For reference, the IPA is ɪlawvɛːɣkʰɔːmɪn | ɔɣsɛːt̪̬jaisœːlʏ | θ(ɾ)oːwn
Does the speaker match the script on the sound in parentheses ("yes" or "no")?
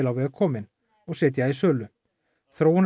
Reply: yes